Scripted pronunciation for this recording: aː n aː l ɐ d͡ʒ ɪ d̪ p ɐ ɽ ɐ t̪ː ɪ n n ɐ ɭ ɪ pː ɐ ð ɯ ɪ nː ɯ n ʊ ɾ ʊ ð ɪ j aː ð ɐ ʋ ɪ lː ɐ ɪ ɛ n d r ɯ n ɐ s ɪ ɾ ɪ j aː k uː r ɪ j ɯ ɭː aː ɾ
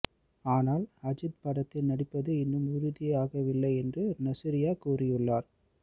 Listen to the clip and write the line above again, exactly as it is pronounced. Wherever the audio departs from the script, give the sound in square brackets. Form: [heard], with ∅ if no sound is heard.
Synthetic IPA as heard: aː n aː l ɐ d͡ʒ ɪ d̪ p ɐ ɽ ɐ t̪ː ɪ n n ɐ [ɽ] ɪ pː ɐ ð ɯ ɪ nː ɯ [m] ʊ ɾ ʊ ð ɪ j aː [ɣ] ɐ ʋ ɪ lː ɐ ɪ ɛ n d r ɯ n ɐ s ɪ ɾ ɪ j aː k uː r ɪ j ɯ ɭː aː ɾ